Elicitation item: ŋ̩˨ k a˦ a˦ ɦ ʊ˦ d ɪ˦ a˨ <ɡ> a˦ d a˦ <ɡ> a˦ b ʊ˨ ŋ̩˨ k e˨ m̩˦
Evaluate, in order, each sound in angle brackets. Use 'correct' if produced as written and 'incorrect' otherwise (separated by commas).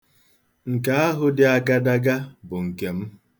correct, correct